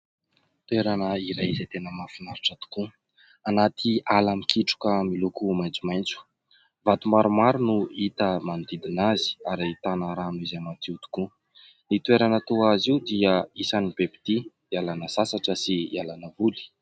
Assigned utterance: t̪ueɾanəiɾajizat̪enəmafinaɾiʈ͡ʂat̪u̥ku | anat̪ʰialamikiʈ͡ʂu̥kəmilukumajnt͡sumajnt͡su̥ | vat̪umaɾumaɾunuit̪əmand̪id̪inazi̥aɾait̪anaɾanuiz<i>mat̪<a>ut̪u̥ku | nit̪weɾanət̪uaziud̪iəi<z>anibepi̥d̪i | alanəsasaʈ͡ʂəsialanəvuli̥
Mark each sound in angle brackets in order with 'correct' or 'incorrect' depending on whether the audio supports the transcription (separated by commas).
incorrect, incorrect, incorrect